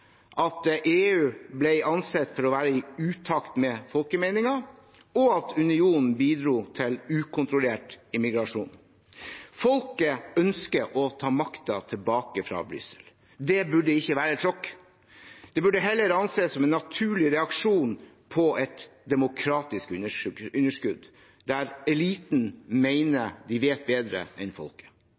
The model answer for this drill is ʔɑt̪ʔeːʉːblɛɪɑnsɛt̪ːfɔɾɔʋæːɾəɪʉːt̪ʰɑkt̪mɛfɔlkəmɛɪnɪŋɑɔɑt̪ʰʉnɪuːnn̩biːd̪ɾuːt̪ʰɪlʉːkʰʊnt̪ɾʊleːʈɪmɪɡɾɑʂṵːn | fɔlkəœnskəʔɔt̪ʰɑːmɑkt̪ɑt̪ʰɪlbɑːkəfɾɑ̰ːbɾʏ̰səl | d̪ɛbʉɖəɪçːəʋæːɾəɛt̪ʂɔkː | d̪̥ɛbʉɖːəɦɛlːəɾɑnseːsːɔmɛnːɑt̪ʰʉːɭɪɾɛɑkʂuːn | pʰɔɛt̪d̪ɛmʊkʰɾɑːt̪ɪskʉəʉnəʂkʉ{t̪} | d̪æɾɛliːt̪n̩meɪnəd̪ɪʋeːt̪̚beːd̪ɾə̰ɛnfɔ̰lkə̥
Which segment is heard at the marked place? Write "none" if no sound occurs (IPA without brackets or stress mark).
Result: d̪